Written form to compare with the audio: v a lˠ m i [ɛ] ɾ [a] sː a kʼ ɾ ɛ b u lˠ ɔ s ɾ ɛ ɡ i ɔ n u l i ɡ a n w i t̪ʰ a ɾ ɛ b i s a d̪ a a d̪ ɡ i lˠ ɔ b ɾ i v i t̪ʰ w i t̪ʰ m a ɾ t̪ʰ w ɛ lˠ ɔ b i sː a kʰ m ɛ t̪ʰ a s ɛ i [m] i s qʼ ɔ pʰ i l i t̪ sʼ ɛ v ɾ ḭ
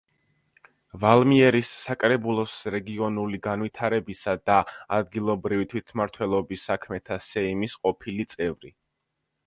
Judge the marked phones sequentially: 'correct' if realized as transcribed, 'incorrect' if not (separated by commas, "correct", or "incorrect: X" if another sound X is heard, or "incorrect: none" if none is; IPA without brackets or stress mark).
correct, incorrect: i, correct